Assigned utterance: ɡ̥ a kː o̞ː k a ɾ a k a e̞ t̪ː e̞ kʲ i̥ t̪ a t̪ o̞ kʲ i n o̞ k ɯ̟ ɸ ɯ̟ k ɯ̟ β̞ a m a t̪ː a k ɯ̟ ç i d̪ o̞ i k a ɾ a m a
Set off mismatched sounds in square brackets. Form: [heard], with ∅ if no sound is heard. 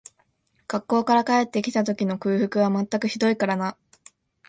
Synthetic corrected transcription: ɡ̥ a kː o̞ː k a ɾ a k a e̞ t̪ː e̞ kʲ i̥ t̪ a t̪ o̞ kʲ i n o̞ k [ɯ̟ː] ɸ ɯ̟ k ɯ̟ β̞ a m a t̪ː a k ɯ̟ ç i d̪ o̞ i k a ɾ a [n] a